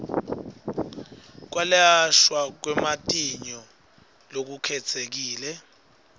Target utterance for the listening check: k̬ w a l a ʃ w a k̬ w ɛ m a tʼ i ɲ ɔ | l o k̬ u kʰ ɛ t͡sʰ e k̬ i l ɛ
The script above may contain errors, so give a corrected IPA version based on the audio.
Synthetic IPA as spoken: k̬ w a l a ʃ w a k̬ w ɛ m a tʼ i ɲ ɔ | l o k̬ u kʰ ɛ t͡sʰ e k̬ iː l ɛ